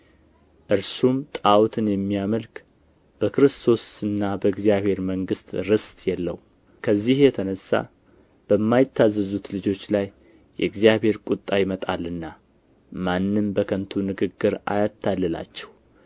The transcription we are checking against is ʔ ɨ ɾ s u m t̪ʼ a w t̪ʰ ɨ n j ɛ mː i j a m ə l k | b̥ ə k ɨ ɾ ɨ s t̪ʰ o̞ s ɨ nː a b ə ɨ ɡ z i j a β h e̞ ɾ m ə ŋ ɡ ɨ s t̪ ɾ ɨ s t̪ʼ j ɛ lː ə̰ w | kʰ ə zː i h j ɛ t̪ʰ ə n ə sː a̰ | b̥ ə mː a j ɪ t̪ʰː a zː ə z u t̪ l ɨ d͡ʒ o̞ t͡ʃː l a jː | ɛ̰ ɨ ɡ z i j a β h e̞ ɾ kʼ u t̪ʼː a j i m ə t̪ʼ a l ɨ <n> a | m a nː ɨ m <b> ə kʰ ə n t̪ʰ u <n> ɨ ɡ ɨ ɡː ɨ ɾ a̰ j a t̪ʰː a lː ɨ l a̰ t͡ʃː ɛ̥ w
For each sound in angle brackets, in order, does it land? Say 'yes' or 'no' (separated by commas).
no, yes, yes